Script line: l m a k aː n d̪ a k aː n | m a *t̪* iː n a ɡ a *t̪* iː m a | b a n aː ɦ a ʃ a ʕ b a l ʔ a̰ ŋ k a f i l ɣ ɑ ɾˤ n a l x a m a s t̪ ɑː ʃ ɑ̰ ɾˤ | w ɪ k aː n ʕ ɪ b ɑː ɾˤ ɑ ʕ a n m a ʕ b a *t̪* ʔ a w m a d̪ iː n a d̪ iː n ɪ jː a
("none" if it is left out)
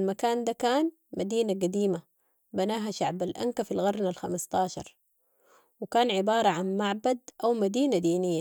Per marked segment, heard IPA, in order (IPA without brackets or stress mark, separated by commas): d̪, d̪, d̪